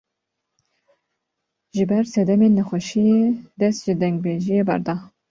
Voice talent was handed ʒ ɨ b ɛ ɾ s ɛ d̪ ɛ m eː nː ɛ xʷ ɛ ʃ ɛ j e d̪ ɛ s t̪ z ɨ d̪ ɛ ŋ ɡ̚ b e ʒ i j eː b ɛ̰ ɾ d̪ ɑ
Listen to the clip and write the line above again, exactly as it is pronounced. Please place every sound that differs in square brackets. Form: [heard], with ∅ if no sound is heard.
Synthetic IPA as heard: ʒ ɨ b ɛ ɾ s ɛ d̪ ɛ m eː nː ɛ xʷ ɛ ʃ [i] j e d̪ ɛ s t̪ [ʒ] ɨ d̪ ɛ ŋ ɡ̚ b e ʒ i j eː b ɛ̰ ɾ d̪ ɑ